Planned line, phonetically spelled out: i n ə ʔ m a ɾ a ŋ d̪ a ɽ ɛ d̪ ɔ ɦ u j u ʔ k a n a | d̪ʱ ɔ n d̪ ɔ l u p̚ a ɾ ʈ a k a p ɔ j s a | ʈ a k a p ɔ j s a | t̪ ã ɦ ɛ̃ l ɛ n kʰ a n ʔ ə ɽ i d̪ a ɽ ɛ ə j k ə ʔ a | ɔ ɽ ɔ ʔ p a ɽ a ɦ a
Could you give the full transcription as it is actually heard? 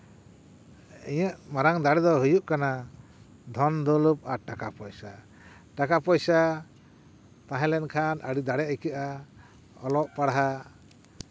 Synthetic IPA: i ɲ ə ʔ m a ɾ a ŋ d̪ a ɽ ɛ d̪ ɔ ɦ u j u ʔ k a n a | d̪ʱ ɔ n d̪ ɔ l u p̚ a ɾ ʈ a k a p ɔ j s a | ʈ a k a p ɔ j s a | t̪ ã ɦ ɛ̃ l ɛ n kʰ a n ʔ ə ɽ i d̪ a ɽ ɛ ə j k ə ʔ a | ɔ l ɔ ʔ p a ɽ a ɦ a